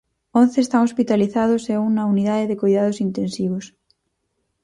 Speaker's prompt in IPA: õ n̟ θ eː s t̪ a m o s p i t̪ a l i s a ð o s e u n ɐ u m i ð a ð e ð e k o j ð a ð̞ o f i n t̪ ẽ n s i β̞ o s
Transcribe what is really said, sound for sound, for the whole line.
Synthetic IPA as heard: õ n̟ θ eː s t̪ a ŋ o s p i t̪ a l i θ a ð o s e u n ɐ u n i ð a ð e ð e k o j ð a ð̞ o s i n t̪ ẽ n s i β̞ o s